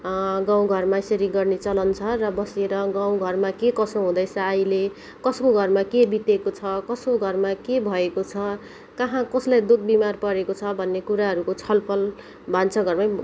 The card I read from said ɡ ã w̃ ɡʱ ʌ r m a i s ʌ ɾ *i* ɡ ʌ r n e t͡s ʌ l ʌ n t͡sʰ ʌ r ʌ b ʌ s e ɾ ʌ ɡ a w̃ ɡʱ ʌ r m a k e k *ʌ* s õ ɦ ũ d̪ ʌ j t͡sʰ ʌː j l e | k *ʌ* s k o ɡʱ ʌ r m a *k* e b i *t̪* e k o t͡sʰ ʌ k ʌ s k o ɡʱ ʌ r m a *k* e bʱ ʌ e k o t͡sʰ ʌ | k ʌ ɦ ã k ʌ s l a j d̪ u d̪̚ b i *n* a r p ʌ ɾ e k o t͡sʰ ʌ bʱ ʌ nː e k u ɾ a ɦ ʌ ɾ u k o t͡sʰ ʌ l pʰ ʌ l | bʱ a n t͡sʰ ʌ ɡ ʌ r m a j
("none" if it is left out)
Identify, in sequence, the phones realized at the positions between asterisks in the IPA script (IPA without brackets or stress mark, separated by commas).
i, ʌ, ʌ, k, t̪, k, m